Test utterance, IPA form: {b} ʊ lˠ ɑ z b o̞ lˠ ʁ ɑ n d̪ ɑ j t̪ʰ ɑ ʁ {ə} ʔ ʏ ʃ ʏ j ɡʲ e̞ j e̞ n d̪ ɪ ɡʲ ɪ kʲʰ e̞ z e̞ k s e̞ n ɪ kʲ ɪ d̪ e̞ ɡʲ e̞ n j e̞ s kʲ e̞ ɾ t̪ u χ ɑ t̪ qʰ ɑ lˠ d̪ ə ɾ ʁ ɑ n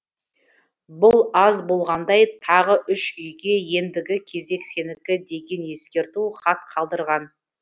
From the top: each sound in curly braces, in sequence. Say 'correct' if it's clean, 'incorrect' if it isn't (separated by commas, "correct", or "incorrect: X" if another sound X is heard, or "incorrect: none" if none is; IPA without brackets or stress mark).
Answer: correct, correct